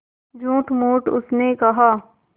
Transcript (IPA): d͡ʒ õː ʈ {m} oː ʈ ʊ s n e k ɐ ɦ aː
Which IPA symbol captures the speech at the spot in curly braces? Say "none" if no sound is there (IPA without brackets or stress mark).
m